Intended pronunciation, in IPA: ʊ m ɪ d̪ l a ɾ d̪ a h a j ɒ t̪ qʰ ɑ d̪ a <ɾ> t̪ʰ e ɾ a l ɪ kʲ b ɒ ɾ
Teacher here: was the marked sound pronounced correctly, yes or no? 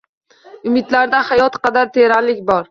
yes